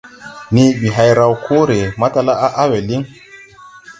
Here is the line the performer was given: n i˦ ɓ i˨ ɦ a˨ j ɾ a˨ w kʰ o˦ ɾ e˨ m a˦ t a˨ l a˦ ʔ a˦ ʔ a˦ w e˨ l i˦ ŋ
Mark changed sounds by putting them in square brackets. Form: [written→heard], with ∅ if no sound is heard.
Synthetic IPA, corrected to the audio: n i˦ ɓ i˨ ɦ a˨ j ɾ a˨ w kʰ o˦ ɾ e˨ m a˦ t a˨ l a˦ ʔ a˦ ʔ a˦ w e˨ l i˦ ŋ